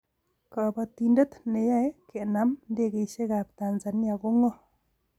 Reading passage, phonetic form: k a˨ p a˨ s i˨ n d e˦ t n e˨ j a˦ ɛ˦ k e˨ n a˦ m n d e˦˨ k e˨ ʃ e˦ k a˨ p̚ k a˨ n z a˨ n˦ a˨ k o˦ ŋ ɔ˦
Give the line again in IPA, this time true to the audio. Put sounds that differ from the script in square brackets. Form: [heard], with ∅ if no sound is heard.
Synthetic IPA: k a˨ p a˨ [t] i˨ n d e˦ t n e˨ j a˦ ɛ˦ k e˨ n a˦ m n d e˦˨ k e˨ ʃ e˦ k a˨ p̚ [t] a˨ n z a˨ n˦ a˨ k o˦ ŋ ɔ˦